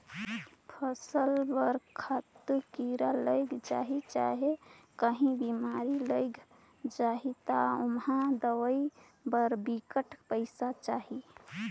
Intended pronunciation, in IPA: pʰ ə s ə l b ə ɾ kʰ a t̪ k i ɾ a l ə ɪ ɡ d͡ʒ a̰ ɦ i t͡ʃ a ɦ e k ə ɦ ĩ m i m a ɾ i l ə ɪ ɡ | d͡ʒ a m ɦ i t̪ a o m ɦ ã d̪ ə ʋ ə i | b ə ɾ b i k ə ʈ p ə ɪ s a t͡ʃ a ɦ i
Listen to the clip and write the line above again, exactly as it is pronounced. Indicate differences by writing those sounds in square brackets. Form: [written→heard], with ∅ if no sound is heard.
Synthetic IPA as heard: pʰ ə s ə l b ə ɾ kʰ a t̪ k i ɾ a l ə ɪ ɡ d͡ʒ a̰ ɦ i t͡ʃ a ɦ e k ə ɦ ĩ [m→b] i m a ɾ i l ə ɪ ɡ | d͡ʒ a [m→∅] ɦ i t̪ a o m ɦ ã d̪ ə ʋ ə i | b ə ɾ b i k ə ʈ p ə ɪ s a t͡ʃ a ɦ i